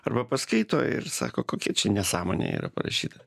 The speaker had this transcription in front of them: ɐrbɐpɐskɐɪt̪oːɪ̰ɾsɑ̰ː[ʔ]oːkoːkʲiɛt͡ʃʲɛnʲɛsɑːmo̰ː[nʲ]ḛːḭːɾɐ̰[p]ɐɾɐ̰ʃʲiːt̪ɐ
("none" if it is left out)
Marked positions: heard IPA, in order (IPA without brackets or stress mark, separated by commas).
k, nʲ, p